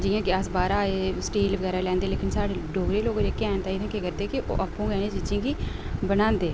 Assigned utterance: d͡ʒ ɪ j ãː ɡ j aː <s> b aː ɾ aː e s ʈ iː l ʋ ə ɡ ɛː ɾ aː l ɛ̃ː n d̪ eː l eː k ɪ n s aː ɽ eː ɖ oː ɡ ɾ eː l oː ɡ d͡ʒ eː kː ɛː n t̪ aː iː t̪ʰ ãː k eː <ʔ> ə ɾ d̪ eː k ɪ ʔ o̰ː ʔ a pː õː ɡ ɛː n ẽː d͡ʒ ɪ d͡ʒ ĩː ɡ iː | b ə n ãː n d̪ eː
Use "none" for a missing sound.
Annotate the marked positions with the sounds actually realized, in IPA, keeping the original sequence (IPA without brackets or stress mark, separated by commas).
s, k